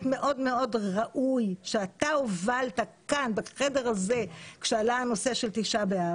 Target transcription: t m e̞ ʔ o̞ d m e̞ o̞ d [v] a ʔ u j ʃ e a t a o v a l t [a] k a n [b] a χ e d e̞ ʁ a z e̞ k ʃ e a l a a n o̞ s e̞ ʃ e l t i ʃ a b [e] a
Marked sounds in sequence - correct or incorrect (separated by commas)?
incorrect, correct, correct, correct